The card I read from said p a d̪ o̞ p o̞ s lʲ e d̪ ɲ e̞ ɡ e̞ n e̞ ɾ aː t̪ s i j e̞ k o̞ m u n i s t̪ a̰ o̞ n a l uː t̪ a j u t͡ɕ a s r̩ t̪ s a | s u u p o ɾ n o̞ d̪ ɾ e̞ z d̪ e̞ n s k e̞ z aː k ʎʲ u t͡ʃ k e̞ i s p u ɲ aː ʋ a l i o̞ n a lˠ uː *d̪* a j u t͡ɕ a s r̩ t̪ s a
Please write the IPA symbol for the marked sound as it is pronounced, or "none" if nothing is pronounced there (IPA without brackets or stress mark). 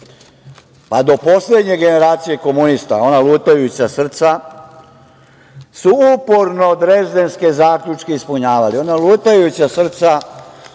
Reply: t̪